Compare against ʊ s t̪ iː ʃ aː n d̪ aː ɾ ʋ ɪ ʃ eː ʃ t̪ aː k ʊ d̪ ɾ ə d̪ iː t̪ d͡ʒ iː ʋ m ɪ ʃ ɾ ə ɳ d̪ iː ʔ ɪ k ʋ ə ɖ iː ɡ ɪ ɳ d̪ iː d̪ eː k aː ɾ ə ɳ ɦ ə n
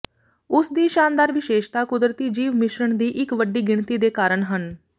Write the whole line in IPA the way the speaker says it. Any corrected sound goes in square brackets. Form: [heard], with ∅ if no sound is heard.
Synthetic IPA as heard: ʊ s [d̪] iː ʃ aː n d̪ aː ɾ ʋ ɪ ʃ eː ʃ t̪ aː k ʊ d̪ ɾ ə [t̪] iː [∅] d͡ʒ iː ʋ m ɪ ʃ ɾ ə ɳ d̪ iː ʔ ɪ k ʋ ə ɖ iː ɡ ɪ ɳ [t̪] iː d̪ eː k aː ɾ ə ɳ ɦ ə n